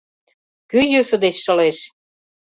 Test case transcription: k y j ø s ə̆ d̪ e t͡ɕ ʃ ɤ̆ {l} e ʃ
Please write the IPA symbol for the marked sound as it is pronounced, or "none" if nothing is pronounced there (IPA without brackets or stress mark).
l